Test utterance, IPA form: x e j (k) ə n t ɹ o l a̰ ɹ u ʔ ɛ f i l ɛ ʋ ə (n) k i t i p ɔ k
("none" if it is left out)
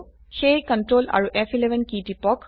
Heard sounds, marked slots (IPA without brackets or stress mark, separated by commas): k, n